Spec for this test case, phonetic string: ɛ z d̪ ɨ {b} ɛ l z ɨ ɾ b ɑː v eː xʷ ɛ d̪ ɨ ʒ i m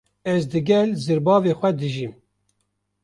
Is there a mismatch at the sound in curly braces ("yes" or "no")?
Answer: yes